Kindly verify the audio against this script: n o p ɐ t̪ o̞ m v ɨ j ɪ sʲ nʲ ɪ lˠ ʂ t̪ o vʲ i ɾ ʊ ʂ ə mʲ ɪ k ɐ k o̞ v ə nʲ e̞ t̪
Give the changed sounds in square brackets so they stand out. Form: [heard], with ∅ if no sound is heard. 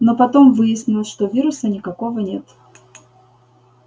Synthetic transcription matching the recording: n o p ɐ t̪ o̞ m v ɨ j ɪ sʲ nʲ ɪ lˠ ʂ t̪ o vʲ i ɾ ʊ [s] ə [nʲ] ɪ k ɐ k o̞ v ə nʲ e̞ t̪